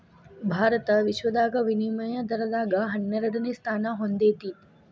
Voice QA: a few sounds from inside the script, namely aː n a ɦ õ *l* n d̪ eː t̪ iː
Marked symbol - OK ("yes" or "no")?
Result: no